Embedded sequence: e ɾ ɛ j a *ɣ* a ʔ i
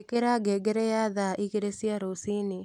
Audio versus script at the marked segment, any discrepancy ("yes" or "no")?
yes